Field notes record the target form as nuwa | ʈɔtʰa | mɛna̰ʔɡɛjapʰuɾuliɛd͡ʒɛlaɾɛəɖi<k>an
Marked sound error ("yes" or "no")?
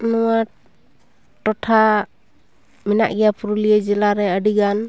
yes